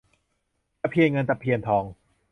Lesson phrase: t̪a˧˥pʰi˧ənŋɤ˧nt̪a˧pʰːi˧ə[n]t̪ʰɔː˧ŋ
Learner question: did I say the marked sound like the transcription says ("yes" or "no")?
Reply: yes